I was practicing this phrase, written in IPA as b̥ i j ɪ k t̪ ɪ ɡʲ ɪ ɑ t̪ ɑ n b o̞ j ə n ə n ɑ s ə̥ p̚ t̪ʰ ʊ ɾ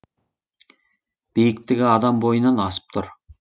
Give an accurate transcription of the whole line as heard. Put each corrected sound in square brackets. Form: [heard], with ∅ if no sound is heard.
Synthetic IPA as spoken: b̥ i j ɪ k t̪ ɪ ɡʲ ɪ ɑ [d̪] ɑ [m] b o̞ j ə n [ɑ] n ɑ s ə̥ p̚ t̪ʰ ʊ ɾ